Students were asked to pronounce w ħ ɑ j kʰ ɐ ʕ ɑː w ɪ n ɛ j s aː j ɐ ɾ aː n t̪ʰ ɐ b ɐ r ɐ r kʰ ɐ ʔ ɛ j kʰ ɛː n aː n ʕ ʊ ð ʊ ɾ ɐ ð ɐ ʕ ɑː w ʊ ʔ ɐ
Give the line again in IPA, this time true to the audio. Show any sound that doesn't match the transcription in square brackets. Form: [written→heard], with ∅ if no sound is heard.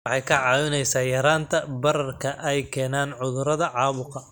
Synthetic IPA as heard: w ħ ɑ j kʰ ɐ ʕ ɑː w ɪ n ɛ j s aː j ɐ ɾ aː n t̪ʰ ɐ b ɐ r ɐ r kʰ ɐ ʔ ɛ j kʰ ɛː n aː n ʕ ʊ ð ʊ ɾ ɐ ð ɐ ʕ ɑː [w→β] ʊ [ʔ→q] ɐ